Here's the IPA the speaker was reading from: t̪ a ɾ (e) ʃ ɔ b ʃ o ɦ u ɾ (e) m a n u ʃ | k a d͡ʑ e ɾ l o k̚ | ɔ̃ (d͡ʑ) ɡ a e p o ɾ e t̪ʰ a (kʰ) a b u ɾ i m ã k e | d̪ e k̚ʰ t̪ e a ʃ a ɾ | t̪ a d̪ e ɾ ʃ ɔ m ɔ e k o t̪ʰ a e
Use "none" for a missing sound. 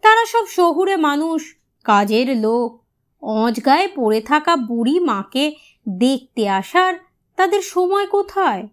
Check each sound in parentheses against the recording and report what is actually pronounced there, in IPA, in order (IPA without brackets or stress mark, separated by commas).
a, e, d͡ʑ, k